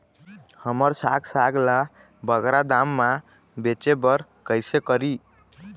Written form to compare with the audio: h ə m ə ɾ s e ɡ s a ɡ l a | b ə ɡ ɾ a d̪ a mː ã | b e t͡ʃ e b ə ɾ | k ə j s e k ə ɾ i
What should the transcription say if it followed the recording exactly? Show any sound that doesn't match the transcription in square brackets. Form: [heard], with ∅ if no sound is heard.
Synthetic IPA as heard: h ə m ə ɾ s [a] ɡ s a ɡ l a | b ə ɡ ɾ a d̪ a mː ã | b e t͡ʃ e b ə ɾ | k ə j s e k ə ɾ i